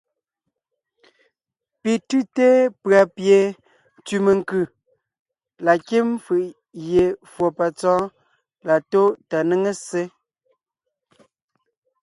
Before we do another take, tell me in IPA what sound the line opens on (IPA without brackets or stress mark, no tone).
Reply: p